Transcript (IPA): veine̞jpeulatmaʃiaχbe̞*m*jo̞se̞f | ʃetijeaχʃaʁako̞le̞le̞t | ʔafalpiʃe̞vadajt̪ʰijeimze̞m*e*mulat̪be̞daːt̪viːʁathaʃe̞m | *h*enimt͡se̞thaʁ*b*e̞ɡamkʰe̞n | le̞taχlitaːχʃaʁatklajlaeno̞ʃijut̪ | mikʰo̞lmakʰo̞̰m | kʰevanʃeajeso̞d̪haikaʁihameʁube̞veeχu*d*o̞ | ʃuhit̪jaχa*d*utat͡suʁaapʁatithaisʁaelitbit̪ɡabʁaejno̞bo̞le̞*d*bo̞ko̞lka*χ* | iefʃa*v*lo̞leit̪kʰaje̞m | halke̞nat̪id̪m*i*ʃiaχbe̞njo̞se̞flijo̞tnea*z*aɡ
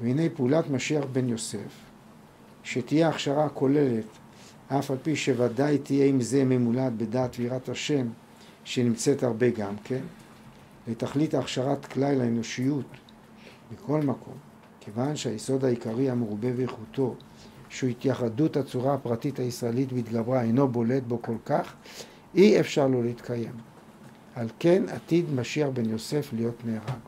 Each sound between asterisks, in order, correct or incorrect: incorrect: n, correct, incorrect: ʃ, correct, incorrect: t, correct, incorrect: t, correct, incorrect: ʁ, incorrect: a, incorrect: ʁ

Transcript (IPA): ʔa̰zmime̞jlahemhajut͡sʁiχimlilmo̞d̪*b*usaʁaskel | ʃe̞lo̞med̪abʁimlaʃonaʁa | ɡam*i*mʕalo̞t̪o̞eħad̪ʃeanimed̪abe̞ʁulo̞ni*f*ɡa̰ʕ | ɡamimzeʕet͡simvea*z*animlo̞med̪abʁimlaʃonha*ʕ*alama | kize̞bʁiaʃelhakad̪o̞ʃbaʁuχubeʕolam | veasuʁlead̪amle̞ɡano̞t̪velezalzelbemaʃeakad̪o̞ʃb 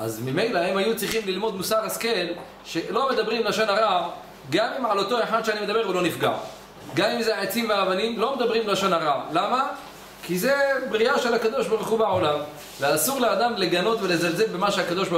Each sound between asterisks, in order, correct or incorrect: incorrect: m, correct, correct, incorrect: v, incorrect: ʁ

